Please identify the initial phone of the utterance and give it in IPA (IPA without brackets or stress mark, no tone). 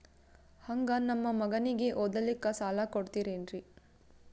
h